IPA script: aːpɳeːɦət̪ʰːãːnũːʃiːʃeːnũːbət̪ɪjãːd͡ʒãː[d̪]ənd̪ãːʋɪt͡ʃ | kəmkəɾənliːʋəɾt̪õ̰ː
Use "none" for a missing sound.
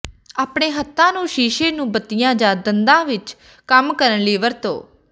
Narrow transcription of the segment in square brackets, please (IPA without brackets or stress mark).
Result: d̪